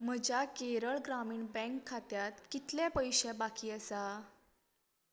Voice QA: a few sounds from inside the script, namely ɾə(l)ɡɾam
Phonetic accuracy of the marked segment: incorrect: ɭ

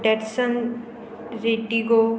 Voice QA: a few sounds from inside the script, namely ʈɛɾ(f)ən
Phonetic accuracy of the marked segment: incorrect: s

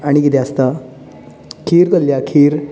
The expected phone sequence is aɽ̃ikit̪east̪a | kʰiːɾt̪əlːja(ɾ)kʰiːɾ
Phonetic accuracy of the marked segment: incorrect: none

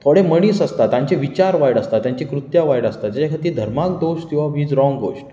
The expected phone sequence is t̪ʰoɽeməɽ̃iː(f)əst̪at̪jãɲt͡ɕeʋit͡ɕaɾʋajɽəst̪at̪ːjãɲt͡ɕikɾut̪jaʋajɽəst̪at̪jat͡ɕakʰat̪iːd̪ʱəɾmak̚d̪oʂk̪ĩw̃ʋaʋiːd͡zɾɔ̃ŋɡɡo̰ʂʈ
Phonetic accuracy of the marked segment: incorrect: s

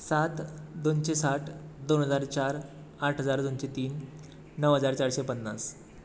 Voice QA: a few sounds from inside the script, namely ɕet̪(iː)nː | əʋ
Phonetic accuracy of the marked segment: correct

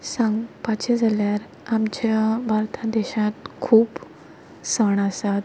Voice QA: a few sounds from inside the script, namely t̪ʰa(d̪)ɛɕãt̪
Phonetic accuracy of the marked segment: correct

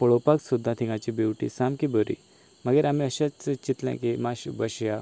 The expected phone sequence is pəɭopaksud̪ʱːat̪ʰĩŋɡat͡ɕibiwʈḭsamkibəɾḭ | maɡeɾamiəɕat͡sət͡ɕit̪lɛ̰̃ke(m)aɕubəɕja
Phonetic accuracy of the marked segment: correct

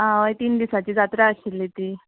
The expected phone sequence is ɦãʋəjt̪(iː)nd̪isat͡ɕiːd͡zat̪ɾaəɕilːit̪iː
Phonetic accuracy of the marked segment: correct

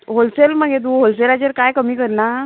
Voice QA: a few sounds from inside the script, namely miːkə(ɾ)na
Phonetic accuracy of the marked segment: correct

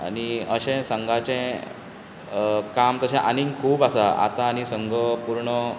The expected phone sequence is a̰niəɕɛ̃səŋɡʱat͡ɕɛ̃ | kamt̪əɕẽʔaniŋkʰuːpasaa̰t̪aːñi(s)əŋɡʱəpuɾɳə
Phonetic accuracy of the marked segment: correct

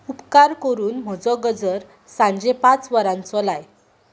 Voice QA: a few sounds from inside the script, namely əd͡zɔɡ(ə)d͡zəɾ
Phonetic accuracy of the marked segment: correct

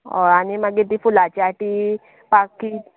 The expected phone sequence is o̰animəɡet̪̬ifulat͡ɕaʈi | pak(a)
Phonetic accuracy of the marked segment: incorrect: i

